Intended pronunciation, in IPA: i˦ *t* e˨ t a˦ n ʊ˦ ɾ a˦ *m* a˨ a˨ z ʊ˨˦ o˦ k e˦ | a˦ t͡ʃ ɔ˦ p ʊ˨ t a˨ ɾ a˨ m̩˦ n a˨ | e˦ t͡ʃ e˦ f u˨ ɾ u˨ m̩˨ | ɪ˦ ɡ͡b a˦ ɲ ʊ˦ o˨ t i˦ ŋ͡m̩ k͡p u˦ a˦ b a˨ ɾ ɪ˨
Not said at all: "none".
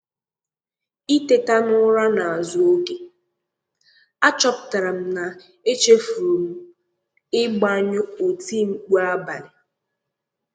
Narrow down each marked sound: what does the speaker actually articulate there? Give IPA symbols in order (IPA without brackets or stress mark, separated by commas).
t, n